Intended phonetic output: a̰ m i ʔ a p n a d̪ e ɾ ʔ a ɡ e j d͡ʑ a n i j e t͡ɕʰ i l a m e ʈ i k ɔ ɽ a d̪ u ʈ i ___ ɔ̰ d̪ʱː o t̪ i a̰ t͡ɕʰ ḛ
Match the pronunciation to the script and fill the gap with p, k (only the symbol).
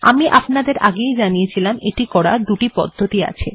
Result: p